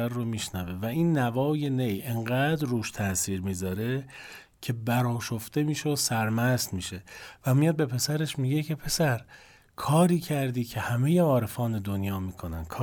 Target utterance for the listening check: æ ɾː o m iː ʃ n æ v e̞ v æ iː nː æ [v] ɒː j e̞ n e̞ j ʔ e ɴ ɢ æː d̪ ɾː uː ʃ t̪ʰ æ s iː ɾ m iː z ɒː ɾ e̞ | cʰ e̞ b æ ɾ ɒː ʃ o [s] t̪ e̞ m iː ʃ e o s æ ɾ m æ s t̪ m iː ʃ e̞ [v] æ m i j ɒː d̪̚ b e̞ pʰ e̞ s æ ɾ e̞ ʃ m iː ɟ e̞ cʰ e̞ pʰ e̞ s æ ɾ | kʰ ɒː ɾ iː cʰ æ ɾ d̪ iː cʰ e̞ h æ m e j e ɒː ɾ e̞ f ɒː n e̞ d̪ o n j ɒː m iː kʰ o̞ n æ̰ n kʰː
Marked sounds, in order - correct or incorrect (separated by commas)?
correct, incorrect, correct